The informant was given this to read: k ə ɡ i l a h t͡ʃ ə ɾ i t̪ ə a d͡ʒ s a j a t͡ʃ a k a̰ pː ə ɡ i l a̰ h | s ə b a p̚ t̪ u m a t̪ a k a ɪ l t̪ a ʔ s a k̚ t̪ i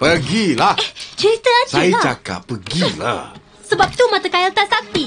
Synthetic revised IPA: p ə ɡ i l a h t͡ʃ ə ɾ i t̪ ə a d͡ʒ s a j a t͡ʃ a k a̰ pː ə ɡ i l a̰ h | s ə b a p̚ t̪ u m a t̪ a k a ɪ l t̪ a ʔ s a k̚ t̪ i